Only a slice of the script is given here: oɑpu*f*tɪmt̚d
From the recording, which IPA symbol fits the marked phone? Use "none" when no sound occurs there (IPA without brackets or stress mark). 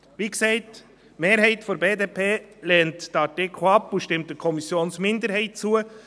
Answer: ʃ